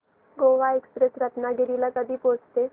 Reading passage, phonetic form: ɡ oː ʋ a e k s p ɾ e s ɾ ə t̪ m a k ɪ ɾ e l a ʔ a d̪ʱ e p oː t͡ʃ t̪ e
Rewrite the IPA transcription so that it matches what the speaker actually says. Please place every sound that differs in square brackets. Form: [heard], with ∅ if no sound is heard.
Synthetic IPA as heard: ɡ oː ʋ a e k s p ɾ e s ɾ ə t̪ [n] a [ɡ] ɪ ɾ [i] l a [k] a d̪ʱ [i] p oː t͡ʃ t̪ e